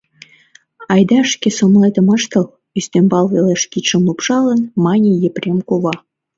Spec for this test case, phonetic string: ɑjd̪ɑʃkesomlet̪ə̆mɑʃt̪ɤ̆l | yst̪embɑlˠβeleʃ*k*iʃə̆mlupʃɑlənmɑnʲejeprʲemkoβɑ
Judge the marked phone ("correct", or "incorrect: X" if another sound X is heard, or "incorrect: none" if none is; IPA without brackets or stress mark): correct